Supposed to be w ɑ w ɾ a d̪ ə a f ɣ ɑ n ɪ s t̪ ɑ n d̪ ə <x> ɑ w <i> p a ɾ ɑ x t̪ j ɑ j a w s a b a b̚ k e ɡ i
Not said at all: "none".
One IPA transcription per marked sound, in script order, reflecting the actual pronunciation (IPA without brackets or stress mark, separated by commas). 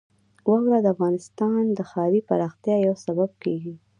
x, i